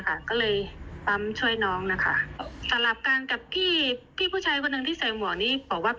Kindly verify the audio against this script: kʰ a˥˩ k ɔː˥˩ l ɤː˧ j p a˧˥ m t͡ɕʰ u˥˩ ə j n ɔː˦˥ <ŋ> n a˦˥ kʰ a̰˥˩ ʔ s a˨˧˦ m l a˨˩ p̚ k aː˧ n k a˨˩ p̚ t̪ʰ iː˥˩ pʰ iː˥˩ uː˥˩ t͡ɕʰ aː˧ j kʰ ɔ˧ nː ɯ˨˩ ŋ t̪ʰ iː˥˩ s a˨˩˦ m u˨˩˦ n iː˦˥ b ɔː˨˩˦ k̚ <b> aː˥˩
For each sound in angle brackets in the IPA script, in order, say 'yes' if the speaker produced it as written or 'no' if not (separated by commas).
yes, no